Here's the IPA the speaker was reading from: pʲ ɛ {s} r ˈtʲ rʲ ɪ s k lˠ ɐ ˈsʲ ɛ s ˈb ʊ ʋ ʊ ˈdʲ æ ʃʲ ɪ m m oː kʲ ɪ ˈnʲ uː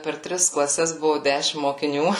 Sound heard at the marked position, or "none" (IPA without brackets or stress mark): none